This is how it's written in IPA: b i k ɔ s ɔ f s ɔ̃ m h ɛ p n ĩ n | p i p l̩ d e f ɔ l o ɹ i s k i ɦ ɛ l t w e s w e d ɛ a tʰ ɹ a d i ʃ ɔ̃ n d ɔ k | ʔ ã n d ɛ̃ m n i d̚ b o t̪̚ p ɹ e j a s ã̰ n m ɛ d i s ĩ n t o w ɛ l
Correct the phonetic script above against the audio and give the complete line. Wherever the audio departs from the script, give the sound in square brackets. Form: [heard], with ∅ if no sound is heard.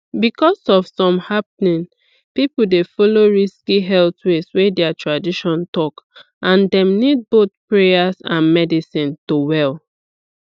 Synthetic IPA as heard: b i k ɔ s ɔ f s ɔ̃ m h [a] p n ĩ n | p i p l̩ d e f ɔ l o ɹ i s k i ɦ ɛ l t w e s w e d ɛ a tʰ ɹ a d i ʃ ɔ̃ n [t] ɔ k | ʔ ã n d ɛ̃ m n i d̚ b o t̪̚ p ɹ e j a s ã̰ n m ɛ d i s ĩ n t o w ɛ l